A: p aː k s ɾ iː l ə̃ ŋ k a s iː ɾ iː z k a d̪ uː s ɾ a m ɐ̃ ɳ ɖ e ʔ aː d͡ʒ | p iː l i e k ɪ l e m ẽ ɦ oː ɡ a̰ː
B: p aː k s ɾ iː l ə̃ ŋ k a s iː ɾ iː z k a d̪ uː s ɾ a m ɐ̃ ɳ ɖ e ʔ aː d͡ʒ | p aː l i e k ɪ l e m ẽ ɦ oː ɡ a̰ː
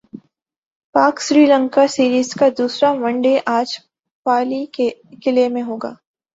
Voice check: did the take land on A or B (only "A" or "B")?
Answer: B